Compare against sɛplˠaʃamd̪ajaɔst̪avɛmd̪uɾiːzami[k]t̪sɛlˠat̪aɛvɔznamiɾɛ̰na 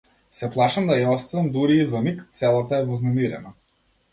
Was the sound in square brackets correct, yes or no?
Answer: yes